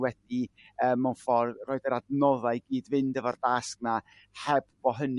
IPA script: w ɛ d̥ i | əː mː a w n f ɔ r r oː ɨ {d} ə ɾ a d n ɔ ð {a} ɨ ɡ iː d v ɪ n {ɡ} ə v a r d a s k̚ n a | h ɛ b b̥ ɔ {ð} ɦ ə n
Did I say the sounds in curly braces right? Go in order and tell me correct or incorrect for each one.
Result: correct, correct, incorrect, incorrect

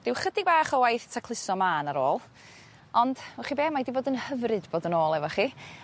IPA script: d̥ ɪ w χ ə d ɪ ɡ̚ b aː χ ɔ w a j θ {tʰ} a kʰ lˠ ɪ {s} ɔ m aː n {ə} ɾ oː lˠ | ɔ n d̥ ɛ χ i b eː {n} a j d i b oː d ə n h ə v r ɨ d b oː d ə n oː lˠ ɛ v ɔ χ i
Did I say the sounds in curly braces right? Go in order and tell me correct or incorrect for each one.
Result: correct, correct, incorrect, incorrect

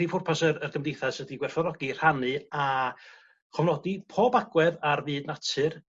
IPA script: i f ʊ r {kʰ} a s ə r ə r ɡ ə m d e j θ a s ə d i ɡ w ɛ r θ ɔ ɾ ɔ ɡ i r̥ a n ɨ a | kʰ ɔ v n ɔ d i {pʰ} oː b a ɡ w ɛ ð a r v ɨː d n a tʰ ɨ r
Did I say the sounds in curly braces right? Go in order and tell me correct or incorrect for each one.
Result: incorrect, correct

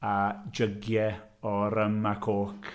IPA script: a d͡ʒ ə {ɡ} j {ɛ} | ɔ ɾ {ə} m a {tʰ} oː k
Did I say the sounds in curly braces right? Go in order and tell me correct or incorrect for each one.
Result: correct, correct, correct, incorrect

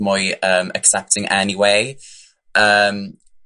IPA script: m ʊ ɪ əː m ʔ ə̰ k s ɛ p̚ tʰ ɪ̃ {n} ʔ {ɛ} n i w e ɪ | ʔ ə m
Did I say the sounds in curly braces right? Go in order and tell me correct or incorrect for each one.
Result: incorrect, correct

